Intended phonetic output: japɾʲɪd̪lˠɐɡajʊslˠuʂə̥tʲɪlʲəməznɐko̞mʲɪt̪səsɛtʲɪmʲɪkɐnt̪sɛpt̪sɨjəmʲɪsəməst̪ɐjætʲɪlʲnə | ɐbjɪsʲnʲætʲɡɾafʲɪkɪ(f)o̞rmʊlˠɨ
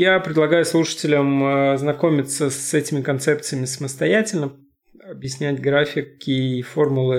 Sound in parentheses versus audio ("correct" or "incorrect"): correct